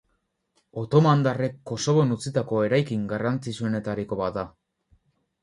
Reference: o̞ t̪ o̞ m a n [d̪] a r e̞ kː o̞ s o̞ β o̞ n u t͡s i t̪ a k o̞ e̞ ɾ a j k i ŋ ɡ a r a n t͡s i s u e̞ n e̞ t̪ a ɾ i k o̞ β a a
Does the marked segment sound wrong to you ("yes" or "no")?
no